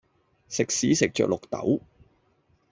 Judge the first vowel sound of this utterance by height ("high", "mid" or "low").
high